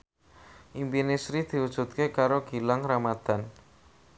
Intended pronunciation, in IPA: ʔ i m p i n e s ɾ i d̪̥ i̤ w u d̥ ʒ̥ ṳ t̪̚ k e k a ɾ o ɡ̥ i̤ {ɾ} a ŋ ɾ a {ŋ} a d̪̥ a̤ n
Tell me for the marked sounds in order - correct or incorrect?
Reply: incorrect: l, incorrect: m

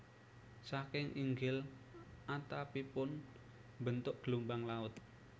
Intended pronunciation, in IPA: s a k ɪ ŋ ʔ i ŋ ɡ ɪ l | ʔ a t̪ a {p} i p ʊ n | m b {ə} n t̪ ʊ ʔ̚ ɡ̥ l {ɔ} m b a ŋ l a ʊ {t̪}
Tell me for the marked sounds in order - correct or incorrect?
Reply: correct, correct, incorrect: u, correct

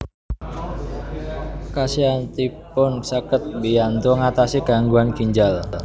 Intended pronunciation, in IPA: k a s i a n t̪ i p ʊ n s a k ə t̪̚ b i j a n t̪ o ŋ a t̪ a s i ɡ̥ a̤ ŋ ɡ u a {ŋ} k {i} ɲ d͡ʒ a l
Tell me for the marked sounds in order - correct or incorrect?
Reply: incorrect: n, correct

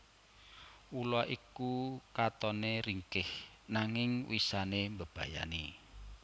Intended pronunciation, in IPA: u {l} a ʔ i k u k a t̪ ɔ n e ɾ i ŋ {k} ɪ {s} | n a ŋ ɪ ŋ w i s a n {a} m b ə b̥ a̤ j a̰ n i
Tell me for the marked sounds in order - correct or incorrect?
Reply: correct, correct, incorrect: h, incorrect: e

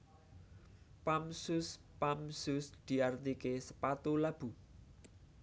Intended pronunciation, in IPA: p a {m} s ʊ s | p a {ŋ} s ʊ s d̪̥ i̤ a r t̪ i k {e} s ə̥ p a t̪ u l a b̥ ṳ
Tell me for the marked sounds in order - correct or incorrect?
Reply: correct, incorrect: m, correct

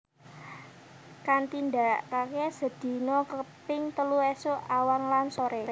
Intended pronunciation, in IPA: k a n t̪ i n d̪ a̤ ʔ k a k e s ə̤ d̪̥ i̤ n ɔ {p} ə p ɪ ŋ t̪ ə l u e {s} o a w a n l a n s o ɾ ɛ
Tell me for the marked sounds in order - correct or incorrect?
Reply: incorrect: k, correct

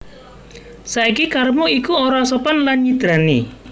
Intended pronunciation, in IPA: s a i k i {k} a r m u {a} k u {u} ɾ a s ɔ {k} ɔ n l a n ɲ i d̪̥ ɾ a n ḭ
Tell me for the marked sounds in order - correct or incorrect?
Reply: correct, incorrect: i, incorrect: o, incorrect: p

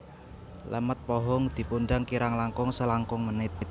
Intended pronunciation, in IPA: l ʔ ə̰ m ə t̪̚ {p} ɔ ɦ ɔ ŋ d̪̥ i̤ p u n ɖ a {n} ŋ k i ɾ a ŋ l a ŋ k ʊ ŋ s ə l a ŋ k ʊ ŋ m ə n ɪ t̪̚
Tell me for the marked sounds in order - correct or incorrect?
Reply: correct, incorrect: none

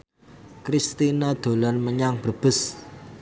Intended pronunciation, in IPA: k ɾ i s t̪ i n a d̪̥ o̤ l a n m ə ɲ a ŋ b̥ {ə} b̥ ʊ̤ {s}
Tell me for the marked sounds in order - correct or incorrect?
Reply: correct, correct

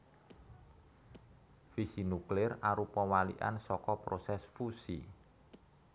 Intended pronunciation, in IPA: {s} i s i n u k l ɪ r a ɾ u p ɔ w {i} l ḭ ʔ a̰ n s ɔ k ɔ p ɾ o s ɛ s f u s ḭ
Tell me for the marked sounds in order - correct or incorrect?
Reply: incorrect: f, incorrect: a

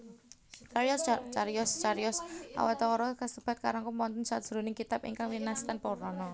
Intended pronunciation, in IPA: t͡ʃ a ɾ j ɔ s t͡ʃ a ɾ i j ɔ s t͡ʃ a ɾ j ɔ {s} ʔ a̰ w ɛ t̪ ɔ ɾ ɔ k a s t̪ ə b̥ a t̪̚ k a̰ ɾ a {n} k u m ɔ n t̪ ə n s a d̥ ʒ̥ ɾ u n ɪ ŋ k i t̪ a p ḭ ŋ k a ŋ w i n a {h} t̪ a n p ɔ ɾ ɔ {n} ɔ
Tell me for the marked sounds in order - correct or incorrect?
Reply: correct, incorrect: ŋ, incorrect: s, correct

